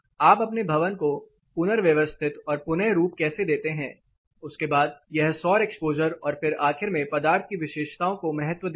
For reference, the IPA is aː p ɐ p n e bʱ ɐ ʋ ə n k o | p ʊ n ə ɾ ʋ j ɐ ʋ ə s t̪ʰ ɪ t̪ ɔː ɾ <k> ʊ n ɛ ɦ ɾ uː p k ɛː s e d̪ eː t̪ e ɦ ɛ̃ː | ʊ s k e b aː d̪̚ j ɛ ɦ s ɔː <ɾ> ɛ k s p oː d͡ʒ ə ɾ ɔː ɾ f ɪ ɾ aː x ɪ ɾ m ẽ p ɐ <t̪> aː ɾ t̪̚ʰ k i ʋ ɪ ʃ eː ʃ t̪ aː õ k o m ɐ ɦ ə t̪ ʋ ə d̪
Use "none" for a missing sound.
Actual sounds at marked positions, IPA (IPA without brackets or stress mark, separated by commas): p, ɾ, d̪